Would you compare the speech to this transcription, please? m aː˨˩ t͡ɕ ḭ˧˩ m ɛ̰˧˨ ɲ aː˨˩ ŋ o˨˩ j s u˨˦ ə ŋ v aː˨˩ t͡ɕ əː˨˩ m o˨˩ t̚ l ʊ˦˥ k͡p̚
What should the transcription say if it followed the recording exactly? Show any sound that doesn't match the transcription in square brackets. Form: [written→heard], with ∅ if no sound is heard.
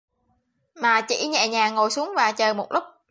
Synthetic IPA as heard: m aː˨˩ t͡ɕ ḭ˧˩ [m→ɲ] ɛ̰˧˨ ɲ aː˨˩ ŋ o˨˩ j s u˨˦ ə ŋ v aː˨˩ t͡ɕ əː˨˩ m o˨˩ t̚ l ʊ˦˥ k͡p̚